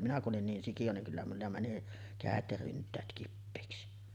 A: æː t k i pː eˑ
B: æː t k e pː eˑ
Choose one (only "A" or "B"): A